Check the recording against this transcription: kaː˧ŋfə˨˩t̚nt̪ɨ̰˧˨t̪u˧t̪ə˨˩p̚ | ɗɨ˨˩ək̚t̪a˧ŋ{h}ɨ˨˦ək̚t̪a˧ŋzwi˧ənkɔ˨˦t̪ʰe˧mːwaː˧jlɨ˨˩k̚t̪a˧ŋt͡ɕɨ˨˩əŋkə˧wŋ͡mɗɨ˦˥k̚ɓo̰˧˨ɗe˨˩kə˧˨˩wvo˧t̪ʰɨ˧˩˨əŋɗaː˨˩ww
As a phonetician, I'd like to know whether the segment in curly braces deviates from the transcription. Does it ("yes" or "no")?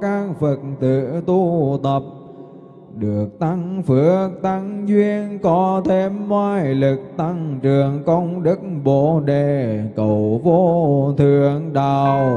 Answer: yes